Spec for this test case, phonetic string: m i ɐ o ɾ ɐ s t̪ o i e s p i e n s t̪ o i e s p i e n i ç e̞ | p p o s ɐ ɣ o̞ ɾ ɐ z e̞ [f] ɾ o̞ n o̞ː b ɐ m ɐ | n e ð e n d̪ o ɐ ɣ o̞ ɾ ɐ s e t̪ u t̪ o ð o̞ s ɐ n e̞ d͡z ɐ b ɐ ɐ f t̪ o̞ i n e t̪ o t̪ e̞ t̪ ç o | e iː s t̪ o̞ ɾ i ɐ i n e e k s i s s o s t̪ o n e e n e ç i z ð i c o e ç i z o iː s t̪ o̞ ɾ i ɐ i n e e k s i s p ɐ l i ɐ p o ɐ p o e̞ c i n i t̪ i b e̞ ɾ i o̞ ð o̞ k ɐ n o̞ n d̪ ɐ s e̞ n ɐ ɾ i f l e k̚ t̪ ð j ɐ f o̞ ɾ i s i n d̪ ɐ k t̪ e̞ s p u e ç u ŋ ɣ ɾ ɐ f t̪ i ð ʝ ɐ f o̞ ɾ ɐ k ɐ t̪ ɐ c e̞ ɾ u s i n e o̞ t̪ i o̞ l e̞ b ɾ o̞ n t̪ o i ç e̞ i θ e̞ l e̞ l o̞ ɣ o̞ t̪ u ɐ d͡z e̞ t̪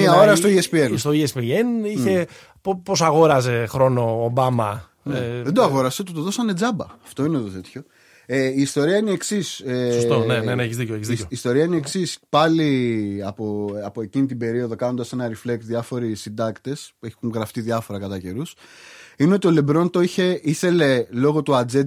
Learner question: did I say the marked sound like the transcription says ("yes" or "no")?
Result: no